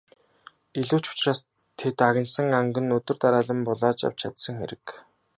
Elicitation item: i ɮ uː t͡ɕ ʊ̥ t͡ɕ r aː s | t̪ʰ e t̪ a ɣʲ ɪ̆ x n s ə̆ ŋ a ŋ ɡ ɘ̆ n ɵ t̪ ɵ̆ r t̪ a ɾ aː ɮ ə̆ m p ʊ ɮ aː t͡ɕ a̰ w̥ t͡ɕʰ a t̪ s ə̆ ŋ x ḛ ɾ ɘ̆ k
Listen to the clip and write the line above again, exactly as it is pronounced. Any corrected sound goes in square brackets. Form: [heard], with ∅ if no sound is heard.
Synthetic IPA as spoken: i ɮ uː t͡ɕ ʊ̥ t͡ɕ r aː s | t̪ʰ e t̪ a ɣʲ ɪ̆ [∅] n s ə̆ ŋ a ŋ ɡ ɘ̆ n ɵ t̪ ɵ̆ r t̪ a ɾ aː ɮ ə̆ m p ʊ ɮ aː t͡ɕ a̰ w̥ t͡ɕʰ a t̪ s ə̆ ŋ x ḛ ɾ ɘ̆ k